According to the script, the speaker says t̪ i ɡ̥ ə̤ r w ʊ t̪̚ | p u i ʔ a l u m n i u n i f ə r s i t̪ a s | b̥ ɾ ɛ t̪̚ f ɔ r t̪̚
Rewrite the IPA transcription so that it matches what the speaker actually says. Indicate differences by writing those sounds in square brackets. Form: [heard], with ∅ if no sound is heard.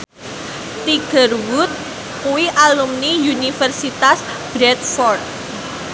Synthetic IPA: t̪ i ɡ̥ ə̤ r w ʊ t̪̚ | [k] u i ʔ a l u m n i u n i f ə r s i t̪ a s | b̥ ɾ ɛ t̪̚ f ɔ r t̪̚